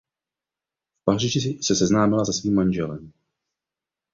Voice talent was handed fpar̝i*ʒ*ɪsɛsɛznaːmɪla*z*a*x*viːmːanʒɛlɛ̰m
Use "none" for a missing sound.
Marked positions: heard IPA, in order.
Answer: ʒ, z, s

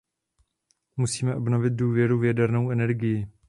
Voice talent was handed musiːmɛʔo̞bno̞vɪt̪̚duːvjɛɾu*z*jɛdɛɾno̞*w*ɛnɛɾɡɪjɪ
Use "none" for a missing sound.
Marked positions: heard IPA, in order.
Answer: v, w

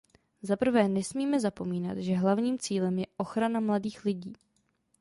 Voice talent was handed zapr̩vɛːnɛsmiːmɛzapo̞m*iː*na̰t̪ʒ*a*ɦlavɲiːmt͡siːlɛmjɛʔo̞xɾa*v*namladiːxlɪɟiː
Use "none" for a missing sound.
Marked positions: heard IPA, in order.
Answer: iː, ɛ, none

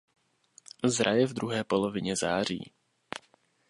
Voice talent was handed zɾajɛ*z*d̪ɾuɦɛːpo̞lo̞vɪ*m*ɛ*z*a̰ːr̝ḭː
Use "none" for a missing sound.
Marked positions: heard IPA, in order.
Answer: v, ɲ, z

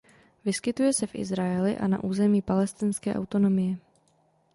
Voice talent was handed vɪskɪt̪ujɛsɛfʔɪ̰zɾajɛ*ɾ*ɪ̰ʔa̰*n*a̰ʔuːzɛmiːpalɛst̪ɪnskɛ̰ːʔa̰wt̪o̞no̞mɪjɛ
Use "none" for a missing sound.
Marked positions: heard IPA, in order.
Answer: l, n

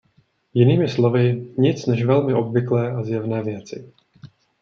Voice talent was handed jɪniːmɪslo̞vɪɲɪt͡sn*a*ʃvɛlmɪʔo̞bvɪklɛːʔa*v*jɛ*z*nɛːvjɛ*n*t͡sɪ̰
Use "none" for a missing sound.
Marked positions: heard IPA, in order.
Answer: ɛ, z, v, none

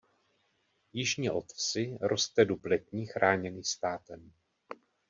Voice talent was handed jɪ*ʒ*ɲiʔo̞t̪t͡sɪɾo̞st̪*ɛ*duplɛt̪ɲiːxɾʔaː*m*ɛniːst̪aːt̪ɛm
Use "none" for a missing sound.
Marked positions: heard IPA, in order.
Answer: ʒ, ɛ, ɲ

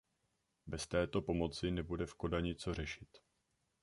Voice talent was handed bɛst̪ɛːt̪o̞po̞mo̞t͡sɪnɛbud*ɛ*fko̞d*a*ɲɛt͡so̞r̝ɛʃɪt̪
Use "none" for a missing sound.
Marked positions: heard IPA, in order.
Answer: ɛ, a

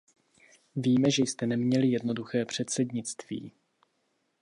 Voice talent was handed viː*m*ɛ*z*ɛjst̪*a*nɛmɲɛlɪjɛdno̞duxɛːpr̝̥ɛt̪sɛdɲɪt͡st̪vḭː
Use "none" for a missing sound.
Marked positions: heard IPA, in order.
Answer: m, ʒ, ɛ

